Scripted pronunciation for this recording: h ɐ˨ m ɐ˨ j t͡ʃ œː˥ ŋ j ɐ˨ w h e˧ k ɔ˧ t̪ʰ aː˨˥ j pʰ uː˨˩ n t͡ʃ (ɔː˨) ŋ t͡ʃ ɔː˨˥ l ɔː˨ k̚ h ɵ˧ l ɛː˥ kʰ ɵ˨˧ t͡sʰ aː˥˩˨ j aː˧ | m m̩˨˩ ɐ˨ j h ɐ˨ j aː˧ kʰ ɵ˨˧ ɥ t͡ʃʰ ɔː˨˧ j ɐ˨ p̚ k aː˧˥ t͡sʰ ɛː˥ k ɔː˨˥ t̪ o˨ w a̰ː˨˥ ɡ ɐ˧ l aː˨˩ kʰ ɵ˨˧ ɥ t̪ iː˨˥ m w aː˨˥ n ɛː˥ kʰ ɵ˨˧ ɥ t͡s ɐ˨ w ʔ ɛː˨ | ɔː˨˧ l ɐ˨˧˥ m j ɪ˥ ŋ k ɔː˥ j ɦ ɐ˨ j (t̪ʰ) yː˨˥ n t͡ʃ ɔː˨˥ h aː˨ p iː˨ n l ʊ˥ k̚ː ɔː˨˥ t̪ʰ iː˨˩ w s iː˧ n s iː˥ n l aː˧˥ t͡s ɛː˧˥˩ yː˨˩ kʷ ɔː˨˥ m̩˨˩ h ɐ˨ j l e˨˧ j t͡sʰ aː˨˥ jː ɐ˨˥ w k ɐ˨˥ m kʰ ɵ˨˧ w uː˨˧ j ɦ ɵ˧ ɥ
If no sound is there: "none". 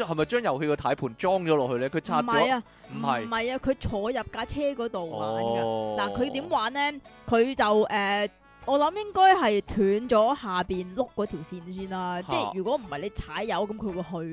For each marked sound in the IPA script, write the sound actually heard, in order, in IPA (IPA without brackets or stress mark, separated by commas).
ɔː˥, t̪ʰ